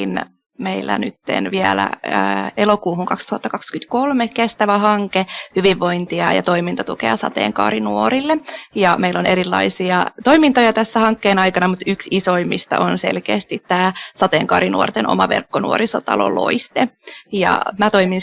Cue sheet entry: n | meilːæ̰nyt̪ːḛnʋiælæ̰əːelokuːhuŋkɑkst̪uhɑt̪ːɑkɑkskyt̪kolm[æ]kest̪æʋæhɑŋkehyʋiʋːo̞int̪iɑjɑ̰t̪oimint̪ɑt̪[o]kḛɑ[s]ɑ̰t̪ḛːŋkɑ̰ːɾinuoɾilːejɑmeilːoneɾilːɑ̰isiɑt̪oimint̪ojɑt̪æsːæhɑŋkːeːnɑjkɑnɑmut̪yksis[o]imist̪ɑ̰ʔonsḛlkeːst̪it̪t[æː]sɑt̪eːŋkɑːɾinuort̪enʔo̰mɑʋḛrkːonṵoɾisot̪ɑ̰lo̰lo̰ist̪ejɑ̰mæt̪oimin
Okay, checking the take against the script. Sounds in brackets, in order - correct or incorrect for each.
incorrect, incorrect, correct, correct, correct

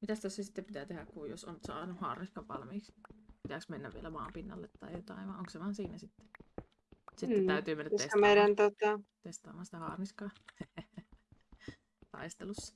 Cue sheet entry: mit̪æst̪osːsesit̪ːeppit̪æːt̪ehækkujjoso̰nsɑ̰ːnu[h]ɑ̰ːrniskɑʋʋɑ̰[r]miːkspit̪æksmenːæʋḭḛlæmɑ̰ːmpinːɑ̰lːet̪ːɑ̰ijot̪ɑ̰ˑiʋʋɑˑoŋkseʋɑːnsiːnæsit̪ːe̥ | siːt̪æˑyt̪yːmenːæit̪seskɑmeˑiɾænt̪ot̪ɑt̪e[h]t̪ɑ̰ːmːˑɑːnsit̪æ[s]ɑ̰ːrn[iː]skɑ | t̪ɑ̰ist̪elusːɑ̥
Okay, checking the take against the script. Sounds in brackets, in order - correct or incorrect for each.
correct, incorrect, incorrect, incorrect, incorrect

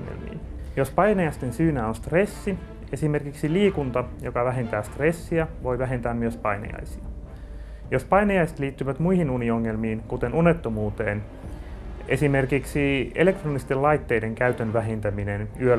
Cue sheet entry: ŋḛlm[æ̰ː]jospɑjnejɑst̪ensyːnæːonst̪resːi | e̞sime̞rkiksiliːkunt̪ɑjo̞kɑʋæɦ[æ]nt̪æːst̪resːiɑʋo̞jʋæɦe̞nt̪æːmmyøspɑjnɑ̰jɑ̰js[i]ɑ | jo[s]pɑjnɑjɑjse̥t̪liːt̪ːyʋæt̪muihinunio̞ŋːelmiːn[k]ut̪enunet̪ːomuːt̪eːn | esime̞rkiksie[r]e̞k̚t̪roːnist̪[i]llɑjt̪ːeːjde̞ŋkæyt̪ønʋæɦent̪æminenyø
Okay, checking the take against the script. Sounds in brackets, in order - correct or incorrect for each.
incorrect, incorrect, correct, correct, correct, incorrect, incorrect

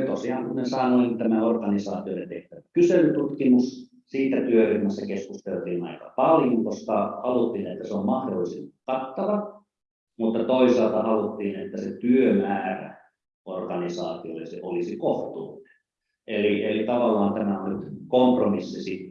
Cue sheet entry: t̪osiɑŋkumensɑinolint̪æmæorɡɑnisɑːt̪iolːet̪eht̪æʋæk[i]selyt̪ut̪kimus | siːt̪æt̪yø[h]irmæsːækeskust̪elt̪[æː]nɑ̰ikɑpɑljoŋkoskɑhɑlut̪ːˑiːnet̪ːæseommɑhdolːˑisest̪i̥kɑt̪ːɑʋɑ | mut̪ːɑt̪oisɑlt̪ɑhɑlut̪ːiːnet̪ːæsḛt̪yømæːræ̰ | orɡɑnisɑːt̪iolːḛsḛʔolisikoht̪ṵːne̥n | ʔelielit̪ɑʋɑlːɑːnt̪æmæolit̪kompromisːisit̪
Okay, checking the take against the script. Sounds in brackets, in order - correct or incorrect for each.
incorrect, correct, incorrect

